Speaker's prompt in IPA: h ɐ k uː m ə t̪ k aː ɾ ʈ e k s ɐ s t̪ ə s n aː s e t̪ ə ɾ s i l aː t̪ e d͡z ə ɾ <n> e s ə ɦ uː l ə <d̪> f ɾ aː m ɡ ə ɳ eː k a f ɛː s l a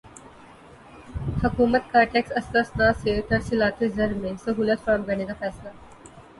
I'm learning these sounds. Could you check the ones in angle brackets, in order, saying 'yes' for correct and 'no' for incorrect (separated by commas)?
no, no